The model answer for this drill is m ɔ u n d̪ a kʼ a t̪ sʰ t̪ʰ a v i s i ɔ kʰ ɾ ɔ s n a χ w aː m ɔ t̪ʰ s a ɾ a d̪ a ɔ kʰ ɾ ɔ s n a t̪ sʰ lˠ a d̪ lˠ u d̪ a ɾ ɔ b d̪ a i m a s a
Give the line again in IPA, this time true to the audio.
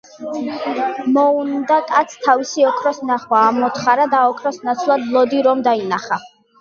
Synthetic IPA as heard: m ɔ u n d̪ a kʼ a t̪ sʰ t̪ʰ a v i s i ɔ kʰ ɾ ɔ s n a χ w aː m ɔ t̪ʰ χ a ɾ a d̪ a ɔ kʰ ɾ ɔ s n a t̪ sʰ lˠ a d̪ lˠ ɔ d̪ i ɾ ɔ m d̪ a i n a χ a